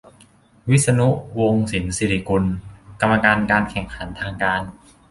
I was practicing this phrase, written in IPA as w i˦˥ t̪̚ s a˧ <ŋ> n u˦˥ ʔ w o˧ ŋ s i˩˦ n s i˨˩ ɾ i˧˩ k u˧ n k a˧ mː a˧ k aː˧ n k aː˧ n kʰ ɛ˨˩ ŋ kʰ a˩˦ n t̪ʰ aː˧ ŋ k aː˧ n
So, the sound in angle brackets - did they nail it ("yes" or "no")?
no